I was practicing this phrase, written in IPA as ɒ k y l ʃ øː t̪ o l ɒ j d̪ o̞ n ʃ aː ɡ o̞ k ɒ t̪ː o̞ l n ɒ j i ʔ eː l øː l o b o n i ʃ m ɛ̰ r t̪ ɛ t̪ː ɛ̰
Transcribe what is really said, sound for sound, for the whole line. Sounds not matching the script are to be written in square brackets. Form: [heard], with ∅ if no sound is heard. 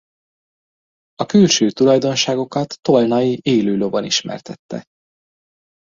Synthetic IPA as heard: ɒ k y l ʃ øː t̪ [u] l ɒ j d̪ o̞ n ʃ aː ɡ o̞ k ɒ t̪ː o̞ l n ɒ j i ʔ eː l øː l o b o n i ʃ m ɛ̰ r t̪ ɛ t̪ː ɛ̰